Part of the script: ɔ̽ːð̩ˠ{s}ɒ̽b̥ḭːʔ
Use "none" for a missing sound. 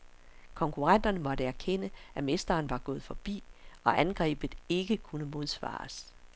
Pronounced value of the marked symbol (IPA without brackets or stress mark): f